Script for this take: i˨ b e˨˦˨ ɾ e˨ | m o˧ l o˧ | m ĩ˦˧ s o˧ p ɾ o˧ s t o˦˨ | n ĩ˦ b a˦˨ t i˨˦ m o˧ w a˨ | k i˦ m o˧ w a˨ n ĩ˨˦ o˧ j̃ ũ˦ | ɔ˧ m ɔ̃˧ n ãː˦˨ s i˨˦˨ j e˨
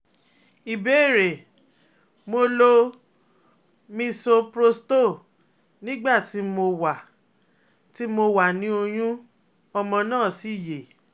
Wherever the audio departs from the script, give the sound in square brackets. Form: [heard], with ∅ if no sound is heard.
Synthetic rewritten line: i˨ b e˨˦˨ ɾ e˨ | m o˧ l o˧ | m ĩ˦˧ s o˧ p ɾ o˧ s t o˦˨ | n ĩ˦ [ɡ͡b] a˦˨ t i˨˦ m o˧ w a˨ | [t] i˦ m o˧ w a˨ n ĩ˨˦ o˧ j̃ ũ˦ | ɔ˧ m ɔ̃˧ n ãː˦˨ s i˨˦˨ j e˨